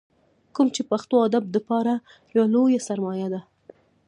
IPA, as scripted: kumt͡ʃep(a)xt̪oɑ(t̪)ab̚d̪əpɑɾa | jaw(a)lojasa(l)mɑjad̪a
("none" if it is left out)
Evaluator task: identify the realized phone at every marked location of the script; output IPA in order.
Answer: a, d̪, a, ɾ

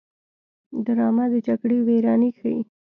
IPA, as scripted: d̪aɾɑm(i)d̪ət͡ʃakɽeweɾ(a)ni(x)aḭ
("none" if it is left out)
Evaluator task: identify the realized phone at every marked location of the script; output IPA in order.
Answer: a, ɑ, x

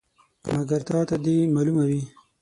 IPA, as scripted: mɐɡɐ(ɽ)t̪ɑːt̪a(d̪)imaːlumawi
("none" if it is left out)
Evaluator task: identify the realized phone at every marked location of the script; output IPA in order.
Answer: ɾ, d̪

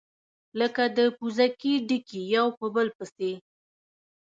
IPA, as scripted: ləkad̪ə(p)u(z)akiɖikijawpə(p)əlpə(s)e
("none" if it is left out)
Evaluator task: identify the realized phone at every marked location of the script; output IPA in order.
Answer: p, z, b, s

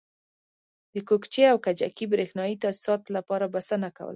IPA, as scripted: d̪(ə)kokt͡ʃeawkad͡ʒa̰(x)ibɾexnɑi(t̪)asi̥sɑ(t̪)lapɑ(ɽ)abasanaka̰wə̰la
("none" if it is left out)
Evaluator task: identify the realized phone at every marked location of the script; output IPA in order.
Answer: ə, k, t̪, t̪, ɾ

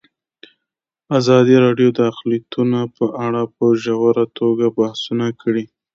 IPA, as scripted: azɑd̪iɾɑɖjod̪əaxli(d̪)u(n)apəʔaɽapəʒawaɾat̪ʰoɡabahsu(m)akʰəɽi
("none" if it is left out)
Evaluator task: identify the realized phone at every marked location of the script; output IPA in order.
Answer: t̪, n, n

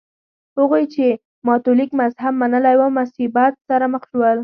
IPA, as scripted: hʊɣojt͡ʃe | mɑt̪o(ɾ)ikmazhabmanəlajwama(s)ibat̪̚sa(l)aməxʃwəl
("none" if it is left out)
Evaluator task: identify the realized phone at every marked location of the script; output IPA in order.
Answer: l, s, ɾ

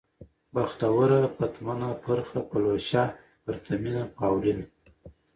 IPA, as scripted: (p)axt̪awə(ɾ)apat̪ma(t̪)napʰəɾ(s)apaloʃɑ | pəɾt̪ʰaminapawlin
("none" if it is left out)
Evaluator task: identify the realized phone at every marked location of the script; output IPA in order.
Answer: b, ɾ, none, x

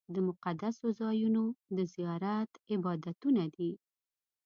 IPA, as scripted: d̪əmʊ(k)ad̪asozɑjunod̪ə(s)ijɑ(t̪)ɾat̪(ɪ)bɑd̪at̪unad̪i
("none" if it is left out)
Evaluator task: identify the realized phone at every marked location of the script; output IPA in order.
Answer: q, z, none, ɪ

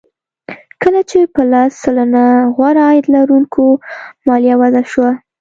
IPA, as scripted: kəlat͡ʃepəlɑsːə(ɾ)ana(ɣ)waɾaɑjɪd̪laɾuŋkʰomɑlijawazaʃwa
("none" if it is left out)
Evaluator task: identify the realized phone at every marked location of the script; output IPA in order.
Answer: l, ɣ

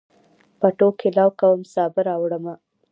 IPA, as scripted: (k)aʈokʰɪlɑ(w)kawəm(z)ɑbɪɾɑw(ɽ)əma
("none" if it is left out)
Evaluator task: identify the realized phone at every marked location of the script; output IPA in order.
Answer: p, w, s, ɽ

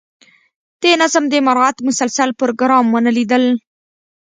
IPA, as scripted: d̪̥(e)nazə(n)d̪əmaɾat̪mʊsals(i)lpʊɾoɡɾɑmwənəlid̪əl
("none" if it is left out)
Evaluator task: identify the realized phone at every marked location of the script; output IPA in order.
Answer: e, m, a

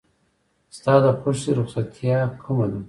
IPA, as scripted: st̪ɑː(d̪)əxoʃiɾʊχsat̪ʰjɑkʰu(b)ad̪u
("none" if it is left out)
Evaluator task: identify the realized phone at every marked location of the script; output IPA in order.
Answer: d̪, m

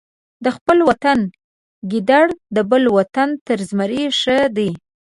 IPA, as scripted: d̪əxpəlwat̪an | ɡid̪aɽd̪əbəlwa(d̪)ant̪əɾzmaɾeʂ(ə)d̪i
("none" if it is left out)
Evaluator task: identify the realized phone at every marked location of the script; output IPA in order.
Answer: t̪, ə

